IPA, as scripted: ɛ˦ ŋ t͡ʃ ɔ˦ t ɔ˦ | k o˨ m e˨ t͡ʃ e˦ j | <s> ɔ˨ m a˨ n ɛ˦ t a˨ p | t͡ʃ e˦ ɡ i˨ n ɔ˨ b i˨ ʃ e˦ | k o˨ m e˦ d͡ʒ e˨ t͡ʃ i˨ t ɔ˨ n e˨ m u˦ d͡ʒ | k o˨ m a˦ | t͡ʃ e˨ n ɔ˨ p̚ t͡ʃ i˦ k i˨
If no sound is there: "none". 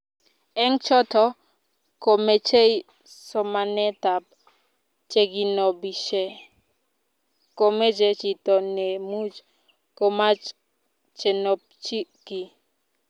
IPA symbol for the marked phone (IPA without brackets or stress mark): s